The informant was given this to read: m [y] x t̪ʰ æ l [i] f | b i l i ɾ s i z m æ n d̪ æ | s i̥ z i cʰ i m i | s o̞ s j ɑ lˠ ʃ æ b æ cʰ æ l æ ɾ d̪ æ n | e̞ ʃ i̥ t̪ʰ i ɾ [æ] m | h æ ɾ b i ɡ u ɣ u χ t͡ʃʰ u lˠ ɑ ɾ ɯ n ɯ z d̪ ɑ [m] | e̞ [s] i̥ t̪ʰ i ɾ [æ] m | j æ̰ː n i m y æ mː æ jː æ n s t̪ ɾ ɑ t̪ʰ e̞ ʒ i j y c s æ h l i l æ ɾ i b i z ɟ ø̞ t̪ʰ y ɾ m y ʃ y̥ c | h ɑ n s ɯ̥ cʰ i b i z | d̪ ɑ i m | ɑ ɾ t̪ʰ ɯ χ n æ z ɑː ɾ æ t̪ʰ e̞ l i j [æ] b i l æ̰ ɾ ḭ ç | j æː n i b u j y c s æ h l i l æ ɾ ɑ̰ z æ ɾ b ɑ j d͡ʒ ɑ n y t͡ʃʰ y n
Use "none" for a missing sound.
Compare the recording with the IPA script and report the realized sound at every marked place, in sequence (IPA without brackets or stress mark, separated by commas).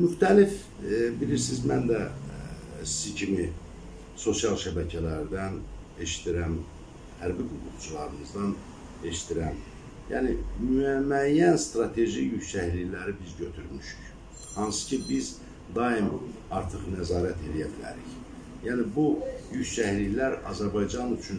y, i, æ, n, ʃ, æ, æ